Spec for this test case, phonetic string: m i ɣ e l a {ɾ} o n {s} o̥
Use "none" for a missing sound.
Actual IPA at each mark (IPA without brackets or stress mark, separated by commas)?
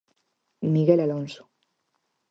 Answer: l, s